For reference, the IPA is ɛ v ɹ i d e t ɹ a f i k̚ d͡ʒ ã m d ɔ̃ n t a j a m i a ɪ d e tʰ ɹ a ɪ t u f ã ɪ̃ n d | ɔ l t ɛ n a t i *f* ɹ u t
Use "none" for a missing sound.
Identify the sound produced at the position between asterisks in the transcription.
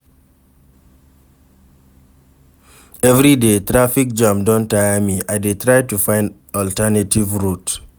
v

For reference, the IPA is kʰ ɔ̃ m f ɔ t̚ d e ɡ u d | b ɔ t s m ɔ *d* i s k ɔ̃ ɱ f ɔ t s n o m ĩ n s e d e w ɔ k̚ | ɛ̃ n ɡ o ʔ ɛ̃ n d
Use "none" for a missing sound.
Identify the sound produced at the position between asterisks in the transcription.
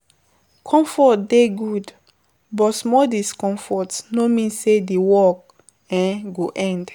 d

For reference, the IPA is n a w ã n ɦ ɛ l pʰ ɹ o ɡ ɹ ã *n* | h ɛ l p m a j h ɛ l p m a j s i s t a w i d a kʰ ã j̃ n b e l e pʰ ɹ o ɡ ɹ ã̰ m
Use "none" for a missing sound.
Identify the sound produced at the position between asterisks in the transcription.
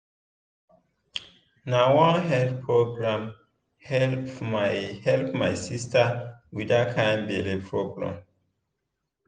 m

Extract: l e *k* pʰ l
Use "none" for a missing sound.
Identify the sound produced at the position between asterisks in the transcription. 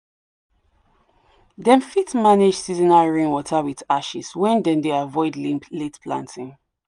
t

